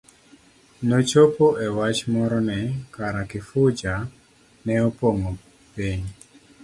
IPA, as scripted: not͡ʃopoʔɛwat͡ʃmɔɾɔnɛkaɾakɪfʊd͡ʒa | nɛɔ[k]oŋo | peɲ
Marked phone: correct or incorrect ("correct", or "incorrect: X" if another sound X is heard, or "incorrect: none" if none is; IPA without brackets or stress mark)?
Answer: incorrect: p